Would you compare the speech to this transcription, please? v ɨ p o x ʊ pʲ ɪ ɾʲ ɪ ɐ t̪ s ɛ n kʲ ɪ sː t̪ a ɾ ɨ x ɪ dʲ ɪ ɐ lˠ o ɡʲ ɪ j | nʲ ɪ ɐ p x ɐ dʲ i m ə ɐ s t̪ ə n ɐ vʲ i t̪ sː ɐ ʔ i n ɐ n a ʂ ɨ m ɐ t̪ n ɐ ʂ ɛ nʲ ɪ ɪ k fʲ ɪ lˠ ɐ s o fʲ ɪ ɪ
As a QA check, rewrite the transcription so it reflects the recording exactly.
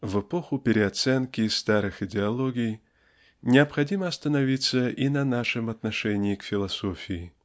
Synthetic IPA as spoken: v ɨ p o x ʊ pʲ ɪ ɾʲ ɪ ɐ t̪ s ɛ n kʲ ɪ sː t̪ a ɾ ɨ x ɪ dʲ ɪ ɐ lˠ o ɡʲ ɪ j | nʲ ɪ ɐ p x ɐ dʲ i m ə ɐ s t̪ ə n ɐ vʲ i t̪ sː ə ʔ i n ɐ n a ʂ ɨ m ɐ t̪ n ɐ ʂ ɛ nʲ ɪ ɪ k fʲ ɪ lˠ ɐ s o fʲ ɪ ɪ